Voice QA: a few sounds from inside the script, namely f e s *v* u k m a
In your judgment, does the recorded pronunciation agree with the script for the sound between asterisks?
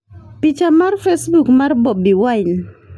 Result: no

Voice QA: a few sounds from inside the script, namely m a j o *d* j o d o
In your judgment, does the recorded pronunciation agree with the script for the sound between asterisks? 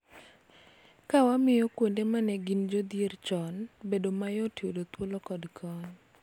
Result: no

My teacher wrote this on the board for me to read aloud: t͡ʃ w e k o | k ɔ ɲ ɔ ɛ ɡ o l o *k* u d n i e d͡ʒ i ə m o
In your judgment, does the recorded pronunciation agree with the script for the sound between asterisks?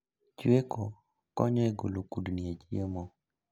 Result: yes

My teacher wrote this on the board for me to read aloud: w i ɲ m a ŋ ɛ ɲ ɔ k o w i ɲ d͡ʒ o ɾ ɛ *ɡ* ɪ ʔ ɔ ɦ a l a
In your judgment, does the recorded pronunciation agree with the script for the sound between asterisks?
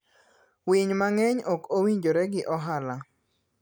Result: yes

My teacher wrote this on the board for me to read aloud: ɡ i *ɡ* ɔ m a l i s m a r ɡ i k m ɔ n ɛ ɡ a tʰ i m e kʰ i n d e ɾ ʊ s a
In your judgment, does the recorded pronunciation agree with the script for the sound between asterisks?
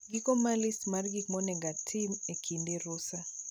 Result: no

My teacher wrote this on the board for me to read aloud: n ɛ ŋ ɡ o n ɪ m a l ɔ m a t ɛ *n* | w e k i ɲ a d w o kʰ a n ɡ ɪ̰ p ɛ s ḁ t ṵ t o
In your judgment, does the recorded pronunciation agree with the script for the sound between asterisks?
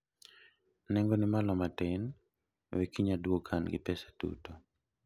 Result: yes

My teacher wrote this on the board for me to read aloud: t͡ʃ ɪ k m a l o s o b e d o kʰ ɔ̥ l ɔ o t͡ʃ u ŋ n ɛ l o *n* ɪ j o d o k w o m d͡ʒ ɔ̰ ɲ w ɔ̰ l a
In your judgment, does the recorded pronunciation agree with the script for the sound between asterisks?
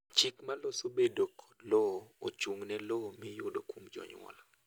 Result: no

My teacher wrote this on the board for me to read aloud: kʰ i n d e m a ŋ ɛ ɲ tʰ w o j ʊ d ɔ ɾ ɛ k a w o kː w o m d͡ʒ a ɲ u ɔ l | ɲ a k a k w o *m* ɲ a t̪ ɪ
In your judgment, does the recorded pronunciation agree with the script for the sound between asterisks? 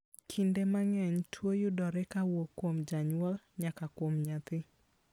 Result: yes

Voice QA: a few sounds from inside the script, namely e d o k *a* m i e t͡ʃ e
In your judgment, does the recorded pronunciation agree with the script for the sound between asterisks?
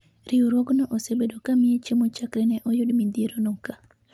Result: yes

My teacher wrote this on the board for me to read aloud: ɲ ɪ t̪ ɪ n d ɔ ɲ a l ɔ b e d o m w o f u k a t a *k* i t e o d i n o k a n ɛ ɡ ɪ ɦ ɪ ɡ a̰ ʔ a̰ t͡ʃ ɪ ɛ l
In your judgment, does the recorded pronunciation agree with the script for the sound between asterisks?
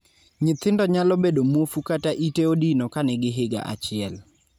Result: no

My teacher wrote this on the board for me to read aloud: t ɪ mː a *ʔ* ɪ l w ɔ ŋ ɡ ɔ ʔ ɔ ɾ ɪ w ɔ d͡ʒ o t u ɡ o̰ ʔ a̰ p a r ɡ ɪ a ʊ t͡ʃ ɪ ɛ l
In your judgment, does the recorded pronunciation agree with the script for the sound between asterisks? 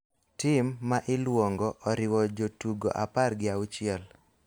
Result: yes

